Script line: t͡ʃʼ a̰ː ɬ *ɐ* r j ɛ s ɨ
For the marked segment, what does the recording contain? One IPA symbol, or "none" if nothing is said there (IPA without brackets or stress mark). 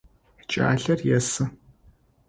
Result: ɐ